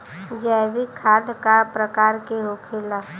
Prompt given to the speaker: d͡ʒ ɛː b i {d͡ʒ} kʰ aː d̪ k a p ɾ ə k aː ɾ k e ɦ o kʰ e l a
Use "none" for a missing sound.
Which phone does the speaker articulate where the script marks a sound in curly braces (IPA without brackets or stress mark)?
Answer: none